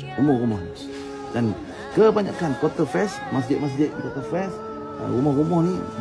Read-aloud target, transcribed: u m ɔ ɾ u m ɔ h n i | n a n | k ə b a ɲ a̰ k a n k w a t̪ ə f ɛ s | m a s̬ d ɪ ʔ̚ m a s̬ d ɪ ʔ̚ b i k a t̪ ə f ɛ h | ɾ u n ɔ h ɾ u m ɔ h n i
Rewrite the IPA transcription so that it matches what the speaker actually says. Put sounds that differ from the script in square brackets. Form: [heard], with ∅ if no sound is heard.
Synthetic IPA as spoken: u m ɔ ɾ u m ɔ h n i | [d] a n | k ə b a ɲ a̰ k a n k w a t̪ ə f ɛ s | m a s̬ d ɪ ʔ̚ m a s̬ d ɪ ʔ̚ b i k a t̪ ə f ɛ [s] | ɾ u [m] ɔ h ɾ u m ɔ h n i